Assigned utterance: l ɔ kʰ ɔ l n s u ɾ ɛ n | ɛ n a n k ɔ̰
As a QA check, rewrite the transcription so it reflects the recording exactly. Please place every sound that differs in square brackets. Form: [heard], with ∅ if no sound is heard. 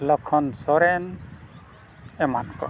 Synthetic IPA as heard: l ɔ kʰ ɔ [∅] n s [ɔ] ɾ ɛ n | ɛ [m] a n k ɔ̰

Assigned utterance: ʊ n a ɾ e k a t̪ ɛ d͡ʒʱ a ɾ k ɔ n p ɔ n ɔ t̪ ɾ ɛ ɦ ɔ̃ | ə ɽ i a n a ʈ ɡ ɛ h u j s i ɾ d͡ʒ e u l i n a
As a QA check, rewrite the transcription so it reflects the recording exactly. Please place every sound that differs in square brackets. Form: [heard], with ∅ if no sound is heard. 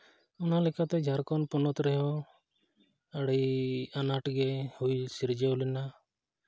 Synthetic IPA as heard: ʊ n a [l] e k a t̪ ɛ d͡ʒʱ a ɾ k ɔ n p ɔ n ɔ t̪ ɾ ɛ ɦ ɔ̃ | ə ɽ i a n a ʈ ɡ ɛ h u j s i ɾ d͡ʒ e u l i n a

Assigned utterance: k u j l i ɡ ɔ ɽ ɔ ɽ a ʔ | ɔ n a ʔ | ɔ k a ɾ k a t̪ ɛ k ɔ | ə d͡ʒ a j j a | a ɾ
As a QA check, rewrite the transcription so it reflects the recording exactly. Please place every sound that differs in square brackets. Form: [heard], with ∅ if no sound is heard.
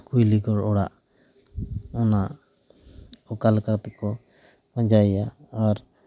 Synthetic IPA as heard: k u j l i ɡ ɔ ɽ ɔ ɽ a ʔ | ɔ n a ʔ | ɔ k a [l] k a t̪ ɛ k ɔ | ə d͡ʒ a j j a | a ɾ

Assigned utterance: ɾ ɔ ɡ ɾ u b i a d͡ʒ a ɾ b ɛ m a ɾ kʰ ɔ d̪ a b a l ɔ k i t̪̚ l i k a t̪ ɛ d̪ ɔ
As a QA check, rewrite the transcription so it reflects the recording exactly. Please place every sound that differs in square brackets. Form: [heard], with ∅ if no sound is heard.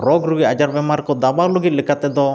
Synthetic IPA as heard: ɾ ɔ ɡ ɾ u [ɡ] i a d͡ʒ a ɾ b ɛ m a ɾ [k] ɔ d̪ a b a l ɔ [ɡ] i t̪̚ l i k a t̪ ɛ d̪ ɔ

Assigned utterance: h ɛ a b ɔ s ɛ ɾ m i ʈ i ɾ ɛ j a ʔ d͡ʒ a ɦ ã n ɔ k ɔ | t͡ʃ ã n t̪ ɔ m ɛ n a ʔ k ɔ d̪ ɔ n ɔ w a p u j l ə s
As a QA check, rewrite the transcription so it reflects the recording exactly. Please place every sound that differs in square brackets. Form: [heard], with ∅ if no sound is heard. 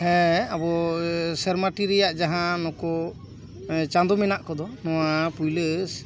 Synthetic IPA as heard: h ɛ a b ɔ s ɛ ɾ m [a] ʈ i ɾ ɛ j a ʔ d͡ʒ a ɦ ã n ɔ k ɔ | t͡ʃ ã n [d̪] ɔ m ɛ n a ʔ k ɔ d̪ ɔ n ɔ w a p u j l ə s

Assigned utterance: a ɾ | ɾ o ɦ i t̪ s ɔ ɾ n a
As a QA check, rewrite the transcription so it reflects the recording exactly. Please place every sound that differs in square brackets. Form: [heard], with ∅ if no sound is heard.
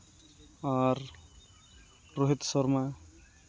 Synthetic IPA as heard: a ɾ | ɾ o ɦ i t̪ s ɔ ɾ [m] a

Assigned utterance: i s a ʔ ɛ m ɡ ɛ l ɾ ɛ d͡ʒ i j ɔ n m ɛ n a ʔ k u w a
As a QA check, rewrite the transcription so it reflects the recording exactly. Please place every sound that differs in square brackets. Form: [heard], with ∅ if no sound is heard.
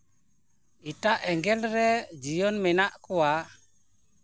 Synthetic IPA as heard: i [t] a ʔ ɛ [ŋ] ɡ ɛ l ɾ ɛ d͡ʒ i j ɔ n m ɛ n a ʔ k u w a

